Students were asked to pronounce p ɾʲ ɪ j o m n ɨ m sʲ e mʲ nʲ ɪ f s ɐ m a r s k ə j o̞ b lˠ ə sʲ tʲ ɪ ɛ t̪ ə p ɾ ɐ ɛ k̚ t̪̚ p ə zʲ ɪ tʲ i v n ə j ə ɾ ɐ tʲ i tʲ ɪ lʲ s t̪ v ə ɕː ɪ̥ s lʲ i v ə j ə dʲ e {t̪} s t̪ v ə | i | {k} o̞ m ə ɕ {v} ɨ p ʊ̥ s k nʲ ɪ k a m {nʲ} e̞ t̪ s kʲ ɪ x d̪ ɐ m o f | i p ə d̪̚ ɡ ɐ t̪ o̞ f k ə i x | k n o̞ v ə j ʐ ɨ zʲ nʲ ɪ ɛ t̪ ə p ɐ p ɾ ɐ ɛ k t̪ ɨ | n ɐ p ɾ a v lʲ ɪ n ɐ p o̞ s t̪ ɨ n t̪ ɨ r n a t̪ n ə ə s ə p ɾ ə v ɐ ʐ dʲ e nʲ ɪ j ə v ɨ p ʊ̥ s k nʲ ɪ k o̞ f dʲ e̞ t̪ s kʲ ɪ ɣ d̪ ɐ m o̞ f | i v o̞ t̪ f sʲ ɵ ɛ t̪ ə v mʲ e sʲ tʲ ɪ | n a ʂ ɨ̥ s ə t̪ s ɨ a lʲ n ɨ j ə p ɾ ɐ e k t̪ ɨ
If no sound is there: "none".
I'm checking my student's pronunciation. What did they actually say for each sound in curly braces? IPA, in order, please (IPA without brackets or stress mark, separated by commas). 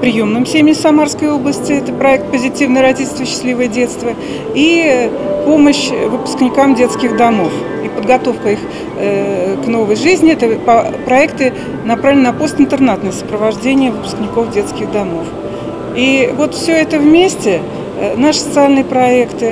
t̪, p, v, dʲ